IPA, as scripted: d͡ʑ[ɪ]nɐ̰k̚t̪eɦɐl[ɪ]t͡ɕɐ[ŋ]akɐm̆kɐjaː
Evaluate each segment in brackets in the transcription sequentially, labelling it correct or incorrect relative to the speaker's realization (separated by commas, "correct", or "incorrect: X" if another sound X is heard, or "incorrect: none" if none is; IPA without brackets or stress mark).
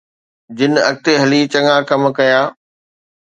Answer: correct, incorrect: i, correct